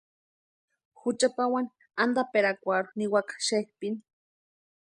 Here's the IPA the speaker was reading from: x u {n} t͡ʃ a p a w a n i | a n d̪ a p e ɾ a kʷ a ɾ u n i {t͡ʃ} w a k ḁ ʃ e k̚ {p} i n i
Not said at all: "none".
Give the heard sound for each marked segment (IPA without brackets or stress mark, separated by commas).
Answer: none, none, p